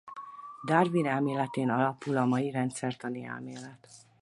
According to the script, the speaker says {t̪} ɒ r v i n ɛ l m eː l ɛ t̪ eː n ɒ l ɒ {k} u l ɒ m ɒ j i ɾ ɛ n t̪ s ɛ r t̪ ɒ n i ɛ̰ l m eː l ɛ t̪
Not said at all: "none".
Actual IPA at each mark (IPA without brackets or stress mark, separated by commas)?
d̪, p